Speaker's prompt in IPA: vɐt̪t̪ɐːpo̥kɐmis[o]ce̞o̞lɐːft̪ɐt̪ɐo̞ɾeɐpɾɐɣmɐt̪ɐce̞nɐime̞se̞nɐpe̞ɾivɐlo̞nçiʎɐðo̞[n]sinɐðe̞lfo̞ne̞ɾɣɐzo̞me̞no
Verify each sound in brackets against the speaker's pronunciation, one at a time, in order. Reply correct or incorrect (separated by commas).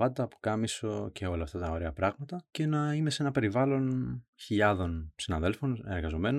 correct, correct